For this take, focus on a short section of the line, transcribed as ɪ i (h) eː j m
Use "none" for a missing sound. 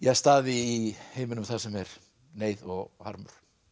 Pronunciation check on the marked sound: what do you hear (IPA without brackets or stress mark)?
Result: h